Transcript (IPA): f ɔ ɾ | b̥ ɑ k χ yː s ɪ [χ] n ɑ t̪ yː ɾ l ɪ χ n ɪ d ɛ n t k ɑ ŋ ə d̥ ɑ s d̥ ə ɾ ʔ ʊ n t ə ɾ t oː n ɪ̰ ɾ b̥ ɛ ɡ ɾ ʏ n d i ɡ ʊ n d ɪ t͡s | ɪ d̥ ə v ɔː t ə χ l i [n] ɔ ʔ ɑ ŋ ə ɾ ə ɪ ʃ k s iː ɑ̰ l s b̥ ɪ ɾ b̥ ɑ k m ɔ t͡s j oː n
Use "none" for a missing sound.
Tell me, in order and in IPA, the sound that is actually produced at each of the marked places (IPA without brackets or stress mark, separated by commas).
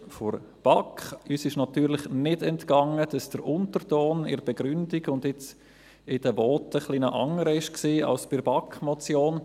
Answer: ʃ, n